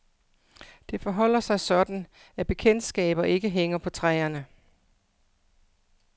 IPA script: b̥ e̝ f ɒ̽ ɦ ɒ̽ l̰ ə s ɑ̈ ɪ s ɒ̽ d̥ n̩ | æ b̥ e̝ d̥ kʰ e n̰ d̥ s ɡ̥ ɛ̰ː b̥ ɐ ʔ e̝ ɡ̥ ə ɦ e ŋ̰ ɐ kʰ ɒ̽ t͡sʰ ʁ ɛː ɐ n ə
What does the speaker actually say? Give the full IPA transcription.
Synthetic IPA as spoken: d̥ e̝ f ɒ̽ ɦ ɒ̽ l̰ ɐ s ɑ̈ ɪ s ɒ̽ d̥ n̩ | æ b̥ e̝ kʰ e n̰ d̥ s ɡ̥ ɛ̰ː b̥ ɐ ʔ e̝ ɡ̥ ə ɦ e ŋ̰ ɐ pʰ ɒ̽ t͡sʰ ʁ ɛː ɐ n ə